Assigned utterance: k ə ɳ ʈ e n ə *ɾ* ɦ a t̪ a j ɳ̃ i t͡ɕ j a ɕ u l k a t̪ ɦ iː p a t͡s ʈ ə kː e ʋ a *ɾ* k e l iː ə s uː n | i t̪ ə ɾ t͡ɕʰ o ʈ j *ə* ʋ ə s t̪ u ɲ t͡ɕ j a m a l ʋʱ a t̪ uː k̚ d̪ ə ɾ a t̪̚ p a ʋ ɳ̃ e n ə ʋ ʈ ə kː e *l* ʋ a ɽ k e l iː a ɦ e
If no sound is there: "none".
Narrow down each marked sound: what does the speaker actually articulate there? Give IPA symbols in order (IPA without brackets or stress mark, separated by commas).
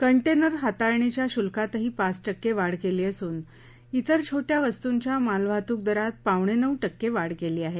ɾ, ɽ, a, none